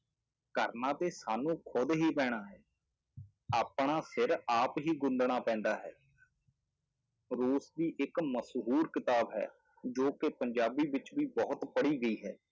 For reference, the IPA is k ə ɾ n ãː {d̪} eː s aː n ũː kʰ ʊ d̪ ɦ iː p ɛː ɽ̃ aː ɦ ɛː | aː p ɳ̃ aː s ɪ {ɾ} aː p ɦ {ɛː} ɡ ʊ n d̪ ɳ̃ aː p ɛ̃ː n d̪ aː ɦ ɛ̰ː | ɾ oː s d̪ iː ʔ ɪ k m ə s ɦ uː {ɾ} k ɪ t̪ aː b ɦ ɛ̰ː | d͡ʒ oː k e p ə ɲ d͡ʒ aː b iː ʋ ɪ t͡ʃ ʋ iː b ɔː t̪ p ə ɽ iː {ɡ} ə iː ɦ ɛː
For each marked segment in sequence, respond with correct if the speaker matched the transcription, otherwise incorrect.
incorrect: t̪, correct, incorrect: iː, correct, correct

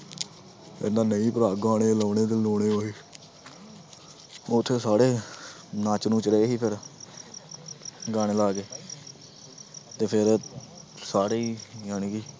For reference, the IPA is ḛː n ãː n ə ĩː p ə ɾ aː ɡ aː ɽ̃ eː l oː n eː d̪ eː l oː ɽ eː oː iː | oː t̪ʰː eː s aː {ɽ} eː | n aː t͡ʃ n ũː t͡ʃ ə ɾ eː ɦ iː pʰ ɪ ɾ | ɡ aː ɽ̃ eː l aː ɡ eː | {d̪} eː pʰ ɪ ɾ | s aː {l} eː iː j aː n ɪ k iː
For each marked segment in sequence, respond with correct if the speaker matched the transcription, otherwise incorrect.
correct, incorrect: t̪, incorrect: ɽ

